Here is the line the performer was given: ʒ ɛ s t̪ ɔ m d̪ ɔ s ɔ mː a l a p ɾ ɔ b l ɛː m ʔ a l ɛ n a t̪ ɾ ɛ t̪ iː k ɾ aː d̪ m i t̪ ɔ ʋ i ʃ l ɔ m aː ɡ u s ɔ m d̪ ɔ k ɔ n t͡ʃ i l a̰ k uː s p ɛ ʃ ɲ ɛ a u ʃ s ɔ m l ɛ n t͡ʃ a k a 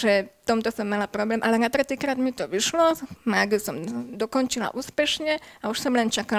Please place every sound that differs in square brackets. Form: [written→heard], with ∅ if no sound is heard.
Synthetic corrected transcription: ʒ ɛ [s→f] t̪ ɔ m [d̪→t̪] ɔ s ɔ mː a l a p ɾ ɔ b l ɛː m ʔ a l ɛ n a t̪ ɾ ɛ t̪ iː k ɾ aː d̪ m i t̪ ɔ ʋ i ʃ l ɔ m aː ɡ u s ɔ m d̪ ɔ k ɔ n t͡ʃ i l a̰ [k→ʔ] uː s p ɛ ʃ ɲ ɛ a u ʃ s ɔ m l ɛ n t͡ʃ a k a